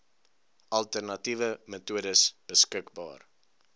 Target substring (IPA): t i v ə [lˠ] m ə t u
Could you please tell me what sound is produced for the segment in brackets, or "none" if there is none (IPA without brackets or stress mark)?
none